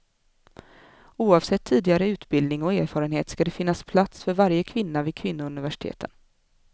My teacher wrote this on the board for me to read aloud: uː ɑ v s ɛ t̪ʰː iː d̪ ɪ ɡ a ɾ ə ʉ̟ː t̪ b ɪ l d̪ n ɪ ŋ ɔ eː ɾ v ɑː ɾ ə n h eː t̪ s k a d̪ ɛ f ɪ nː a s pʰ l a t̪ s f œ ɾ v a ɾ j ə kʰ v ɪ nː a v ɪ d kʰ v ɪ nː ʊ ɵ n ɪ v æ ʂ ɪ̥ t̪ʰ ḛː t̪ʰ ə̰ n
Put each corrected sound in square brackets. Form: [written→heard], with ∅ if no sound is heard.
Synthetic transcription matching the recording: uː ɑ v s ɛ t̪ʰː iː d̪ ɪ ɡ a ɾ ə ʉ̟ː t̪ b ɪ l d̪ n ɪ ŋ ɔ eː ɾ [v→f] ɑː ɾ ə n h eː t̪ s k a d̪ ɛ f ɪ nː a s pʰ l a t̪ s f œ ɾ v a ɾ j ə kʰ v ɪ nː a v ɪ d kʰ v ɪ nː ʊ ɵ n ɪ v æ ʂ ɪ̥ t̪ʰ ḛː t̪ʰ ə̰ n

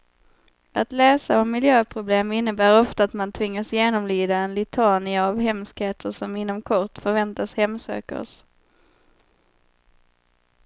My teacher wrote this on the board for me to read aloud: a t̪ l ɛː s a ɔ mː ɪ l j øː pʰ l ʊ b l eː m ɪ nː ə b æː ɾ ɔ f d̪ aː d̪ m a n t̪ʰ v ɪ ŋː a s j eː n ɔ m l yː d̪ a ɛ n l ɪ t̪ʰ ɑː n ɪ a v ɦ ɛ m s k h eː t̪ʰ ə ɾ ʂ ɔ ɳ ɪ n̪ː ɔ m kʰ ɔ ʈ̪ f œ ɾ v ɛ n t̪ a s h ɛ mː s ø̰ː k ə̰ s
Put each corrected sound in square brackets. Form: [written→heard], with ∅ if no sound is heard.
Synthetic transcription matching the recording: a t̪ l ɛː s a ɔ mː ɪ l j øː pʰ [l→ɾ] ʊ b l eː m ɪ nː ə b æː ɾ ɔ f [d̪→t̪] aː [d̪→t̪] m a n t̪ʰ v ɪ ŋː a s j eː n ɔ m l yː d̪ a ɛ n l ɪ t̪ʰ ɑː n ɪ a v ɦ ɛ m s k h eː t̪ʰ ə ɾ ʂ ɔ [ɳ→m] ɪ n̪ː ɔ m kʰ ɔ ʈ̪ f œ ɾ v ɛ n t̪ a s h ɛ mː s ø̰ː k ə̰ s

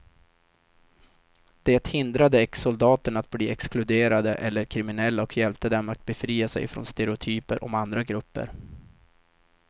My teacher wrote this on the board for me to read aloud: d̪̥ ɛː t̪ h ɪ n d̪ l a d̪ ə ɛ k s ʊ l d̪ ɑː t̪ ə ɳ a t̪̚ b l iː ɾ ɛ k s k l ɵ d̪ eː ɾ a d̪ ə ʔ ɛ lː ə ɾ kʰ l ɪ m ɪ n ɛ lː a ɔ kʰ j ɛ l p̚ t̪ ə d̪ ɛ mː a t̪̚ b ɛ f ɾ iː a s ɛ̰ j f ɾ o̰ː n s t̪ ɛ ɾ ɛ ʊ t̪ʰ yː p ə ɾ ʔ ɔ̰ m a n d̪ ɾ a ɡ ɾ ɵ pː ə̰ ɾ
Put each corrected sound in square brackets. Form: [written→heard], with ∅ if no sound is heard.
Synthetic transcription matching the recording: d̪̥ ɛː t̪ h ɪ n d̪ [l→ɾ] a d̪ ə ɛ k s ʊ l d̪ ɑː t̪ ə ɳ a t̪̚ b l iː [ɾ→∅] ɛ k s k l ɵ d̪ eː ɾ a d̪ ə ʔ ɛ lː ə ɾ kʰ [l→ɾ] ɪ m ɪ n ɛ lː a ɔ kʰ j ɛ l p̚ t̪ ə d̪ ɛ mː a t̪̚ b ɛ f ɾ iː a s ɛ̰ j f ɾ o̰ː n s t̪ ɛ ɾ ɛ ʊ t̪ʰ yː p ə ɾ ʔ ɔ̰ m a n d̪ ɾ a ɡ ɾ ɵ pː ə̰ ɾ

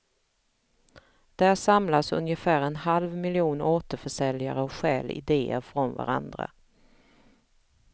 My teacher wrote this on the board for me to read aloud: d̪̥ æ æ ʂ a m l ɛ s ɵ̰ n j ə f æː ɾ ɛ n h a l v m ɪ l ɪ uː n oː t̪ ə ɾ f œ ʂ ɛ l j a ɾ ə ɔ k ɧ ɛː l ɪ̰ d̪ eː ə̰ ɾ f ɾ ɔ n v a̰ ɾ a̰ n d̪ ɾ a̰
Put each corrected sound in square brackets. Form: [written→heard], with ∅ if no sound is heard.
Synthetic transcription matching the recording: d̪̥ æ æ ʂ a m l [ɛ→a] s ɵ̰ n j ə f æː ɾ ɛ n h a l v m ɪ l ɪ uː n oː t̪ ə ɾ f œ ʂ ɛ l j a ɾ ə ɔ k ɧ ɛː l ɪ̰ d̪ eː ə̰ ɾ f ɾ ɔ n v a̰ ɾ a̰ n d̪ ɾ a̰

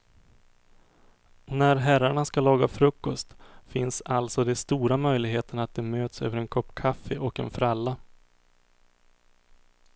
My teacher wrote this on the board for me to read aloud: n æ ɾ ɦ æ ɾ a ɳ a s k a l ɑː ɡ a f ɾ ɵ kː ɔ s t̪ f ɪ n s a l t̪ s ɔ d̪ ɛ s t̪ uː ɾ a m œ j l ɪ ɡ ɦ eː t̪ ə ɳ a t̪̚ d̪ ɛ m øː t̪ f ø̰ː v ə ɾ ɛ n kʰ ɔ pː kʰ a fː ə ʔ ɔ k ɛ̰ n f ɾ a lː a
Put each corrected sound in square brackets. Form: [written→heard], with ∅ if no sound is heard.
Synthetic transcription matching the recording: n æ ɾ ɦ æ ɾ a ɳ a s k a l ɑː ɡ a f ɾ ɵ kː ɔ s t̪ f ɪ n s a l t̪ s ɔ d̪ ɛ s t̪ uː ɾ a m œ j l ɪ ɡ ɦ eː t̪ ə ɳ a t̪̚ d̪ ɛ m øː t̪ [f→s] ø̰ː v ə ɾ ɛ n kʰ ɔ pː kʰ a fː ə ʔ ɔ k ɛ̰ n f ɾ a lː a

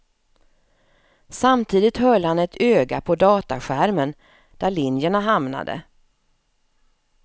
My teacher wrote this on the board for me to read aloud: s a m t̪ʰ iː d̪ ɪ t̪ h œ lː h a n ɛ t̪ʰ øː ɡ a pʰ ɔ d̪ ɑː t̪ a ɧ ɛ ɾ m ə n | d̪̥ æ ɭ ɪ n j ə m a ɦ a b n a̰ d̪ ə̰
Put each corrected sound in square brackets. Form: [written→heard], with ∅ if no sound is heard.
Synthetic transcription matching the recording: s a m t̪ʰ iː d̪ ɪ t̪ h œ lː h a n ɛ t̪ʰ øː ɡ a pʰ ɔ d̪ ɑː t̪ a ɧ [ɛ→æ] ɾ m ə n | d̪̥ æ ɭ ɪ n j ə [m→ɳ] a ɦ a [b→m] n a̰ d̪ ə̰

